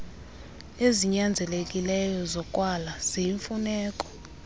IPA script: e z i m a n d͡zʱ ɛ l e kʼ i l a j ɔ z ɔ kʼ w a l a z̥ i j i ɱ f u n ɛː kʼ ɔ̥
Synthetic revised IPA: e z i ɲ a n d͡zʱ ɛ l e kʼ i l ɛ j ɔ z ɔ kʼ w a l a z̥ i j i ɱ f u n ɛː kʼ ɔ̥